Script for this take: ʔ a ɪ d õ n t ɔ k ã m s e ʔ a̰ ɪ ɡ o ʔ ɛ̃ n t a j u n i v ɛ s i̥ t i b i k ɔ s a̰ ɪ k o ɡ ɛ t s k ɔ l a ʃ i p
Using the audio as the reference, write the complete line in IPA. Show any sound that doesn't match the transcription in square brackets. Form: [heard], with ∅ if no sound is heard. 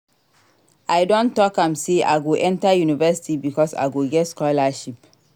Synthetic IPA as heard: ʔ a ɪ d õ n t ɔ k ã m s e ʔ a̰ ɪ ɡ o ʔ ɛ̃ n t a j u n i v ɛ s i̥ t i b i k ɔ s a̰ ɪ [ɡ] o ɡ ɛ t s k ɔ l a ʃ i p

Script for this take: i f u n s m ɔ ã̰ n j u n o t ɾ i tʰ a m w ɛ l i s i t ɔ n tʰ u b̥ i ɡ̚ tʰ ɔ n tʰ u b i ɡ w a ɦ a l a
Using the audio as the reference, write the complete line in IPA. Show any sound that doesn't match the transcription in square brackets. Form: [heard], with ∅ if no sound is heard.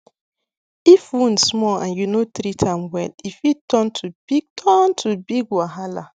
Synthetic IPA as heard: i f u n s m ɔ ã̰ n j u n o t ɾ i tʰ a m w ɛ l i [f] i t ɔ n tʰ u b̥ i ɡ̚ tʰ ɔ n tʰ u b i ɡ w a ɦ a l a

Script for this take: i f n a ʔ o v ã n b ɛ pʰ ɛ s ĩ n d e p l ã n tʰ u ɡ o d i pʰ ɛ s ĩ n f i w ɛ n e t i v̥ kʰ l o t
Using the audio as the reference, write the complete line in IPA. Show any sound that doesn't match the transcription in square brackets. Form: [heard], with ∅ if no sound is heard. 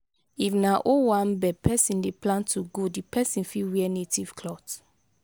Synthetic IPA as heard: i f n a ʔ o [w] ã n b ɛ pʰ ɛ s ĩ n d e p l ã n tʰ u ɡ o d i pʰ ɛ s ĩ n f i w ɛ n e t i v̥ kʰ l [ɔ] t

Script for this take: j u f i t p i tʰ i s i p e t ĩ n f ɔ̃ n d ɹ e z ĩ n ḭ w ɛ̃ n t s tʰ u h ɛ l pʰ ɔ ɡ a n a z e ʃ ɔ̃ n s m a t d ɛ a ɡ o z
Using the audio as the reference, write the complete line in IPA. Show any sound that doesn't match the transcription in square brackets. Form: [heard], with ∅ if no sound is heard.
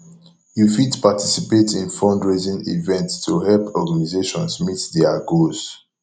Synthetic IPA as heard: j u f i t p [a] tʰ i s i p e t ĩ n f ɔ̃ n d ɹ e z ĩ n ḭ [v] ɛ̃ n t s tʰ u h ɛ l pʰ ɔ ɡ a n [i] z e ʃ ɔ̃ n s m [i] t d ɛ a ɡ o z

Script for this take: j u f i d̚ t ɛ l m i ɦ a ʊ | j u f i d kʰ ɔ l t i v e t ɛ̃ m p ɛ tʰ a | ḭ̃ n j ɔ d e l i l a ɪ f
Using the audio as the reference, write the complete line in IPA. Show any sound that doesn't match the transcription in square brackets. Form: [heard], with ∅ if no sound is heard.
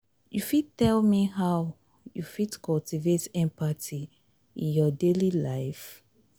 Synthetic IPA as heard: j u f i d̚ t ɛ l m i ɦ a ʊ | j u f i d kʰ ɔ l t i v e t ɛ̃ m p [a] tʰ [i] | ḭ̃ n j ɔ d e l i l a ɪ f

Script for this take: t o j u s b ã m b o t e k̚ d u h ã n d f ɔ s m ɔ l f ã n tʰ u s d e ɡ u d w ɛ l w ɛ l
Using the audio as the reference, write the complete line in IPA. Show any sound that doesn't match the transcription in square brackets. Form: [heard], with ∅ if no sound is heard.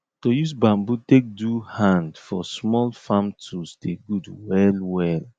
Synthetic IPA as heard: t o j u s b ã m b [u] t e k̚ d u h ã n d f ɔ s m ɔ l f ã [m] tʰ u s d e ɡ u d w ɛ l w ɛ l

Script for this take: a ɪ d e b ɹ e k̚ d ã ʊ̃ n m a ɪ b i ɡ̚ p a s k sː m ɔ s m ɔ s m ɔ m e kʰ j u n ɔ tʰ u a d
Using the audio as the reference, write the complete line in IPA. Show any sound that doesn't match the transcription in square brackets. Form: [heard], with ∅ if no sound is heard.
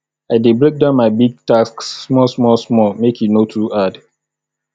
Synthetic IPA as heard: a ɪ d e b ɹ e k̚ d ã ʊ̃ n m a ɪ b i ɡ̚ [t] a s k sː m ɔ s m ɔ s m ɔ m e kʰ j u n [o] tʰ u a d

